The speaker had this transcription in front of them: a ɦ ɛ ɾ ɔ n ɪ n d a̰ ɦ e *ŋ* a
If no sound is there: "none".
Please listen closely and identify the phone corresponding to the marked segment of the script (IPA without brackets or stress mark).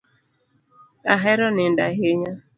ɲ